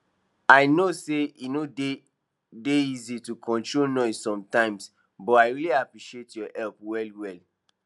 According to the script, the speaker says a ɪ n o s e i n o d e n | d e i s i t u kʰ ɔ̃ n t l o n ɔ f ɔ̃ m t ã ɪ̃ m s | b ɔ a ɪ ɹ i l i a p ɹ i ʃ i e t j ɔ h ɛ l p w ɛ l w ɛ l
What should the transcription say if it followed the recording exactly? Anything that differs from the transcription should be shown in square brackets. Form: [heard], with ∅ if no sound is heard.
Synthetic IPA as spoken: a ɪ n o s e i n o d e [∅] | d e i [z] i t u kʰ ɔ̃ n t [ɹ] o n ɔ [s] ɔ̃ m t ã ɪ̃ m s | b ɔ a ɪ ɹ i l i a p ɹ i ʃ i e t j ɔ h ɛ l p w ɛ l w ɛ l